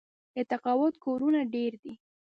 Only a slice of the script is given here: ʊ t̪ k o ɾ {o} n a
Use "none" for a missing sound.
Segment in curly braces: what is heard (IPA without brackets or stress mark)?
u